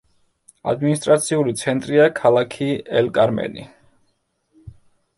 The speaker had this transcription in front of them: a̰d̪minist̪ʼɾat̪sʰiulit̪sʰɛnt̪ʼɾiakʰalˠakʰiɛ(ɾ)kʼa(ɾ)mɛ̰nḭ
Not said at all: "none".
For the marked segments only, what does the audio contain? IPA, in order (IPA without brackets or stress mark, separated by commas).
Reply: l, ɾ